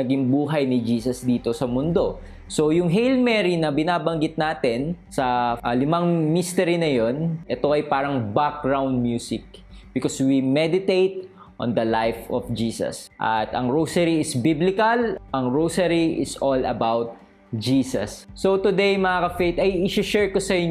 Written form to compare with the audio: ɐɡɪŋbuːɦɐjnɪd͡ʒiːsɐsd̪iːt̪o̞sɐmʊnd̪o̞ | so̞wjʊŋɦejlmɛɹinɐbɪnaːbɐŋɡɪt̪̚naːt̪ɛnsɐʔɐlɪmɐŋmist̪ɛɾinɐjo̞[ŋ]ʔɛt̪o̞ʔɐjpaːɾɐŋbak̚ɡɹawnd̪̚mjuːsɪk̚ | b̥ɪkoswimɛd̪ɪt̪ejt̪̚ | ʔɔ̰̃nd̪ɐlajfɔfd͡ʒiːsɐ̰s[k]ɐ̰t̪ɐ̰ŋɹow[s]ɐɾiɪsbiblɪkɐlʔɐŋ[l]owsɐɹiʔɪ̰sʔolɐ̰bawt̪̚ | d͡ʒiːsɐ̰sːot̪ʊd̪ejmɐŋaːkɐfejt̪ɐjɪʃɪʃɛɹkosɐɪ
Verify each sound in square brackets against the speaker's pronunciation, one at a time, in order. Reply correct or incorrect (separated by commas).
incorrect, incorrect, correct, incorrect